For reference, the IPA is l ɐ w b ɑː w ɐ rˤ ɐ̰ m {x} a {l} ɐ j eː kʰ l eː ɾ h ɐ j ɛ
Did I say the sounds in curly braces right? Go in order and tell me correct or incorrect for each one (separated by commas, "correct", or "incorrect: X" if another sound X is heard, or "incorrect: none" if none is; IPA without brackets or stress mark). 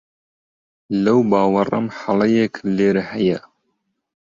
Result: incorrect: ħ, correct